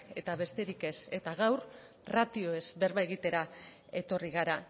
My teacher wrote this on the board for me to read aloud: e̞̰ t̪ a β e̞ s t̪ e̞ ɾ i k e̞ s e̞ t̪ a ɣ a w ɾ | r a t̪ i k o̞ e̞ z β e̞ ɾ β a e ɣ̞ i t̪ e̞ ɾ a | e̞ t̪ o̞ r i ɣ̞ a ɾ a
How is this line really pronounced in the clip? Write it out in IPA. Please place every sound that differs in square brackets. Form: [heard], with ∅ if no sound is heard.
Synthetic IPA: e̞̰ t̪ a β e̞ s t̪ e̞ ɾ i k e̞ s e̞ t̪ a ɣ a w ɾ | r a t̪ i [∅] o̞ e̞ z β e̞ ɾ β a e ɣ̞ i t̪ e̞ ɾ a | e̞ t̪ o̞ r i ɣ̞ a ɾ a